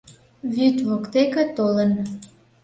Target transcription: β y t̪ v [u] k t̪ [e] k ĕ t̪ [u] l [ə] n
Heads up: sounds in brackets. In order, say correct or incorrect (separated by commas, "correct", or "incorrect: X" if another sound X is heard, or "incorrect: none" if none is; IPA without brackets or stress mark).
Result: incorrect: o, correct, incorrect: o, correct